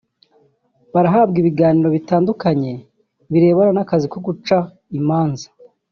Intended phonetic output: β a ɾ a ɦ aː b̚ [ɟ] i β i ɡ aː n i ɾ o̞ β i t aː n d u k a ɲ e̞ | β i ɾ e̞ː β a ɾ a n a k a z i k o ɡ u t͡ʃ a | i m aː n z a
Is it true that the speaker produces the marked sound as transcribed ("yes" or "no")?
no